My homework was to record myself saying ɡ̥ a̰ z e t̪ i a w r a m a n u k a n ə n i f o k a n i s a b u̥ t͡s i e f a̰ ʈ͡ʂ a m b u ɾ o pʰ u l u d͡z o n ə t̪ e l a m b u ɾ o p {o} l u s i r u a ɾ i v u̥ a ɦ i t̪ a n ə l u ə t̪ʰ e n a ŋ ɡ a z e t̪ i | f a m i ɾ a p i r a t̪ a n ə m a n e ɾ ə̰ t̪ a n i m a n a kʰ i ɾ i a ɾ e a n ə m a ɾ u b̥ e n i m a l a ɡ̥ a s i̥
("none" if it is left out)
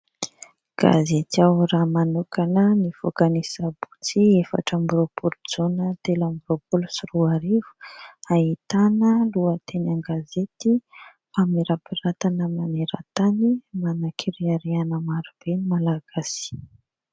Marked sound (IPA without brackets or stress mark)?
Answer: u